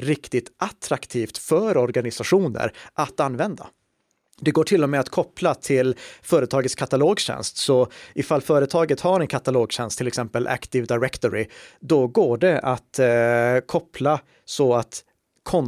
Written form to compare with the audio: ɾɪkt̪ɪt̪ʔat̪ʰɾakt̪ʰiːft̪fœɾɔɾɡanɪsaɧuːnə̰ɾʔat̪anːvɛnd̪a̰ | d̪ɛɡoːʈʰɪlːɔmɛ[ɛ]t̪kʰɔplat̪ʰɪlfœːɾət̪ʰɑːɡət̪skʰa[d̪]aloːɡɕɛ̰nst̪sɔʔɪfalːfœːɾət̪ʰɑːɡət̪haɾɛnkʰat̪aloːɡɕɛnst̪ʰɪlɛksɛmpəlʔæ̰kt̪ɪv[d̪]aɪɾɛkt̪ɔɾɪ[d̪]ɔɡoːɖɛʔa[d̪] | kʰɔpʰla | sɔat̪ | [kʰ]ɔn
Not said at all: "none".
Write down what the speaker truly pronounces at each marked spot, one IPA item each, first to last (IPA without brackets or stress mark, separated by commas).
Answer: a, t̪, d̪, d̪, t̪, kʰ